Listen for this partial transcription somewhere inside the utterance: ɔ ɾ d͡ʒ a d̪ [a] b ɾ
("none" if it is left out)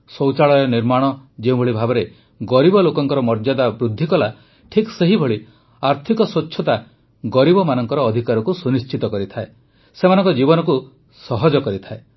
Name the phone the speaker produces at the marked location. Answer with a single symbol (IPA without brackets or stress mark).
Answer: a